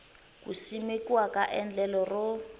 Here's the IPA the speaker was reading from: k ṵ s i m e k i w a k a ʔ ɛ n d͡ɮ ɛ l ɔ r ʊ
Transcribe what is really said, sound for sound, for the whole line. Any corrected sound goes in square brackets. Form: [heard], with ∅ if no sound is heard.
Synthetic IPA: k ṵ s i m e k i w a k a ʔ ɛ n d͡ɮ ɛ l ɔ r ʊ